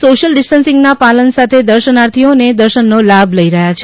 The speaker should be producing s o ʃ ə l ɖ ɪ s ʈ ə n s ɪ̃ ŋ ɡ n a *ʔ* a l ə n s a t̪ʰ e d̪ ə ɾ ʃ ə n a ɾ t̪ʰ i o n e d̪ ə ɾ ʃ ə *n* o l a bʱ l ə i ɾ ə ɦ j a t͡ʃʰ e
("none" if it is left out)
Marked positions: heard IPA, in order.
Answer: p, nː

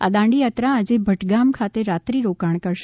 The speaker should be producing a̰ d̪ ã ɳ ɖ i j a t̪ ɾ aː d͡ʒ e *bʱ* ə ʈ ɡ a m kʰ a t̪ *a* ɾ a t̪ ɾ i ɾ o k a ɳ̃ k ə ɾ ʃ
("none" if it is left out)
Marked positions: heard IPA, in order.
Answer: bʱ, e

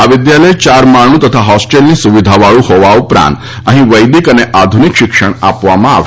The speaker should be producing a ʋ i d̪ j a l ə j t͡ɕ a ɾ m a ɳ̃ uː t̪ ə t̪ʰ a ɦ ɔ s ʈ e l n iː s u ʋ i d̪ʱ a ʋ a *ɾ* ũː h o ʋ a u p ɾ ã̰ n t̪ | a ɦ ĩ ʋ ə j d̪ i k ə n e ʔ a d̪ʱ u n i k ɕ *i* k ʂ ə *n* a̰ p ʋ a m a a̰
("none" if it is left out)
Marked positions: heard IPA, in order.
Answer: ɭ, i, ɳ

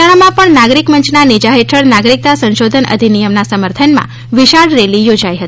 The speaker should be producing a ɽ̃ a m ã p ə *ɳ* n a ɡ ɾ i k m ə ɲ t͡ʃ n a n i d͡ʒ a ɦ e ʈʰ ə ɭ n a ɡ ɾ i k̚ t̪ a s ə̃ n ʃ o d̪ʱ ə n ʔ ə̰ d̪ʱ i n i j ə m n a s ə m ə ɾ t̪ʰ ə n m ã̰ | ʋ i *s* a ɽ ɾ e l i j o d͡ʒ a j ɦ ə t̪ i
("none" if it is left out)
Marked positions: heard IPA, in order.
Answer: ɳ, ʃ

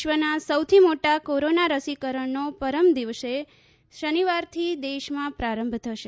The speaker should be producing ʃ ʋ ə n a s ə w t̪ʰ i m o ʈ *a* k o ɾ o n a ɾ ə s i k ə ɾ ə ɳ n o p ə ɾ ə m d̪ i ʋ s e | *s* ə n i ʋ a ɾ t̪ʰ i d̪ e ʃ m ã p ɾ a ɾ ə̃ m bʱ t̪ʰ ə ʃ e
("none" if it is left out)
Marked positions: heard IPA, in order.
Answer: a, ʃ

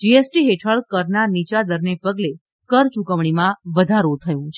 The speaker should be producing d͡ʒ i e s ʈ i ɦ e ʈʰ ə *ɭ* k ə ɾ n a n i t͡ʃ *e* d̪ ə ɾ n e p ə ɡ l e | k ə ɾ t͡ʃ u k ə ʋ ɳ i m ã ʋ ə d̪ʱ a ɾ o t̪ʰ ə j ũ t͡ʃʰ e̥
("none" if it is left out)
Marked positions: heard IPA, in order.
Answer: ɭ, a

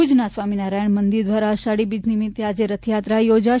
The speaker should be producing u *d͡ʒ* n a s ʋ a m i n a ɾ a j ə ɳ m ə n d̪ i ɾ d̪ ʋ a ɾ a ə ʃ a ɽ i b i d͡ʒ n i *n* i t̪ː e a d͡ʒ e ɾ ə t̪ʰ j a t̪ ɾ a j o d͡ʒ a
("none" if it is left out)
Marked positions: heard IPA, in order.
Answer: d͡ʒ, m

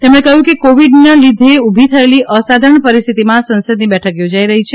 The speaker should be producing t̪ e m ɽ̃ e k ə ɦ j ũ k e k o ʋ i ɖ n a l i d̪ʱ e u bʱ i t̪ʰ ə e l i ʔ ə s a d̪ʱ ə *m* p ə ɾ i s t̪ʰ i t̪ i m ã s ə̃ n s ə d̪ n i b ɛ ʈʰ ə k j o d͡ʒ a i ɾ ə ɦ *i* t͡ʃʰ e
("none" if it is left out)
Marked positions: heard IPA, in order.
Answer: ɳ, i

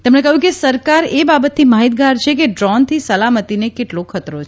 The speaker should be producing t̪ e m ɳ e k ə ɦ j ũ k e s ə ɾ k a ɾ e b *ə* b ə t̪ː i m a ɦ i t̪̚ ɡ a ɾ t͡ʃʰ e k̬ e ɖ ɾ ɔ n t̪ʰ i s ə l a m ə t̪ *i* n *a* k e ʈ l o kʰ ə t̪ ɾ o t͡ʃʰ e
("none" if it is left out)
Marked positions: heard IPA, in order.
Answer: a, i, e

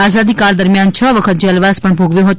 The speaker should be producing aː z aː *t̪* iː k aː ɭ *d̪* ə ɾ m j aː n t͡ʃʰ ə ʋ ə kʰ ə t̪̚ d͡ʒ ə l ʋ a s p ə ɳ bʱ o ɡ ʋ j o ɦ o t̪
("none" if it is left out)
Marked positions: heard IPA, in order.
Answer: d̪, d̪

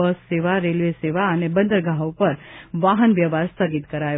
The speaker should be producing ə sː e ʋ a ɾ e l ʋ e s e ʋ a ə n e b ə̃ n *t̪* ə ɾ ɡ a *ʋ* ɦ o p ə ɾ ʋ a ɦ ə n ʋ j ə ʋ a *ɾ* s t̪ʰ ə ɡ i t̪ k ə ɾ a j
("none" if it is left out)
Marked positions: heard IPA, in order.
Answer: d̪, none, ɾ

